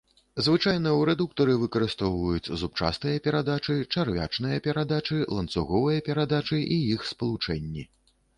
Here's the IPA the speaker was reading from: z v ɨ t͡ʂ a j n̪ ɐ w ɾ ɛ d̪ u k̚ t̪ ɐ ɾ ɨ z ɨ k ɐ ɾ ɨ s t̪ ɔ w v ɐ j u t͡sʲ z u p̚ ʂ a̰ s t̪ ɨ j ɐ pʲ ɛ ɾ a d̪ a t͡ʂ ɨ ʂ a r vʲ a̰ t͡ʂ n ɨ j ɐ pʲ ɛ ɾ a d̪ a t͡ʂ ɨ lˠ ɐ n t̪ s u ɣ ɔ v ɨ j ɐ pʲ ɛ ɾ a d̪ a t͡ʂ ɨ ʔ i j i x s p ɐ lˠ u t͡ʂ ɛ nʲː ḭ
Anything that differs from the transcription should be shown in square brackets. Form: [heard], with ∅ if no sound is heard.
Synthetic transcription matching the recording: z v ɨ t͡ʂ a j n̪ ɐ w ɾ ɛ d̪ u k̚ t̪ ɐ ɾ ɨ [v] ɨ k ɐ ɾ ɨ s t̪ ɔ w v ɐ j u t͡sʲ z u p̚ [t͡ʂ] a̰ s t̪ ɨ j ɐ pʲ ɛ ɾ a d̪ a t͡ʂ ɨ [t͡ʂ] a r vʲ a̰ t͡ʂ n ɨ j ɐ pʲ ɛ ɾ a d̪ a t͡ʂ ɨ lˠ ɐ n t̪ s u ɣ ɔ v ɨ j ɐ pʲ ɛ ɾ a d̪ a t͡ʂ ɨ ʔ i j i x s p ɐ lˠ u t͡ʂ ɛ nʲː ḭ